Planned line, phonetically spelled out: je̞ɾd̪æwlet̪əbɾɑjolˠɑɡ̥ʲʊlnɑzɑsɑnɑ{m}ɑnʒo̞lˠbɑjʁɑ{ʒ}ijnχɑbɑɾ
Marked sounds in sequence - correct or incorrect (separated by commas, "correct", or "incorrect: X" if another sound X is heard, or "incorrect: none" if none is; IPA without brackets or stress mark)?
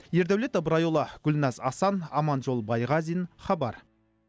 correct, incorrect: z